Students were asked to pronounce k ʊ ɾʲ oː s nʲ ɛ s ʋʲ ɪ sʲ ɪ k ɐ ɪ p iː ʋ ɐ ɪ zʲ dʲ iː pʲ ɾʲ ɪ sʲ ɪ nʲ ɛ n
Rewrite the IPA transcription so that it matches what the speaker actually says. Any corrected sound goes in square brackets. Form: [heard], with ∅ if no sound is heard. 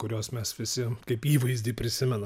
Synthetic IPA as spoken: k ʊ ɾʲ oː s [mʲ] ɛ s ʋʲ ɪ sʲ ɪ k ɐ ɪ p iː ʋ ɐ ɪ zʲ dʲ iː pʲ ɾʲ ɪ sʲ ɪ [mʲ] ɛ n